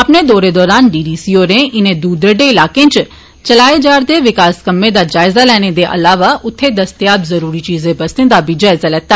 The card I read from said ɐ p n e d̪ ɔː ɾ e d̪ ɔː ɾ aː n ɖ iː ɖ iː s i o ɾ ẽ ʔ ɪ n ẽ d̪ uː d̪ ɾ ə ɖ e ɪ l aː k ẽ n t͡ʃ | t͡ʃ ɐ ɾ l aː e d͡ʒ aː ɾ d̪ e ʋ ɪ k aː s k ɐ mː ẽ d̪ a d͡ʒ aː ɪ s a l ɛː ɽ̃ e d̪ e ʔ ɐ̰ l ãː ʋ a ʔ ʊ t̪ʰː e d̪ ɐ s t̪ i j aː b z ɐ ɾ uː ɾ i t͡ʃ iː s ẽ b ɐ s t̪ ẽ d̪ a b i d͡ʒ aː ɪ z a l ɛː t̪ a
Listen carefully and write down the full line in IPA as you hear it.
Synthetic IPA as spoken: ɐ p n e d̪ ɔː ɾ e d̪ ɔː ɾ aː n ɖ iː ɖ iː s i o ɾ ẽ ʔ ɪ n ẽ d̪ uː d̪ ɾ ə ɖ e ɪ l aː k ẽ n t͡ʃ | t͡ʃ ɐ l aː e d͡ʒ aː ɾ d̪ e ʋ ɪ k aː s k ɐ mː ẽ d̪ a d͡ʒ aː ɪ z a l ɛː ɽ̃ e d̪ e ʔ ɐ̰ l aː ʋ a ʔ ʊ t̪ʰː e d̪ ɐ s t̪ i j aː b z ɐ ɾ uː ɾ i t͡ʃ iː z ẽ b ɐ s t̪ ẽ d̪ a b i d͡ʒ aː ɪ z a l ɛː t̪ a